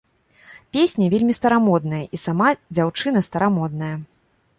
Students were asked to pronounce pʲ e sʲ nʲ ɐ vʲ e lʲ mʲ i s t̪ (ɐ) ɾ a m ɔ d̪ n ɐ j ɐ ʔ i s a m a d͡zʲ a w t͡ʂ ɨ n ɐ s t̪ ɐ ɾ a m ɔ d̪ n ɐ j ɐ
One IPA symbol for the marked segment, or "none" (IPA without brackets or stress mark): ɐ